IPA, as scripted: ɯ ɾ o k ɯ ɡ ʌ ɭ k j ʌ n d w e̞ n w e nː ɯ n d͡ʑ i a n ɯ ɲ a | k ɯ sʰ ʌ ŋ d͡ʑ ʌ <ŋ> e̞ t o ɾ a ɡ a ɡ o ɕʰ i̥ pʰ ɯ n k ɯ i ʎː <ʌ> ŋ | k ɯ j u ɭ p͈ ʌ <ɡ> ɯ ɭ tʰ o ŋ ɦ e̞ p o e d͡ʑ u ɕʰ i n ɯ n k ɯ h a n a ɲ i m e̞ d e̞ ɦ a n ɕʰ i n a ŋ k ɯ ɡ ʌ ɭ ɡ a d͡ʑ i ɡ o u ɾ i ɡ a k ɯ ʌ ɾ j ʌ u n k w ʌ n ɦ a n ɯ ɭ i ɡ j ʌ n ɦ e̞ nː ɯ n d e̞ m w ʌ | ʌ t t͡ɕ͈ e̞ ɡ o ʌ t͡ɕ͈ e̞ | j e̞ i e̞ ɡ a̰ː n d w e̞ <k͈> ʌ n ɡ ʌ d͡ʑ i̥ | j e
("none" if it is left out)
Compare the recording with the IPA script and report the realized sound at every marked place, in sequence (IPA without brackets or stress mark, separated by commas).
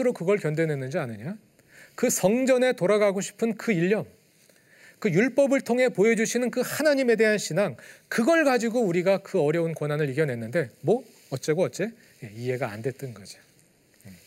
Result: n, ʌ, b, t͈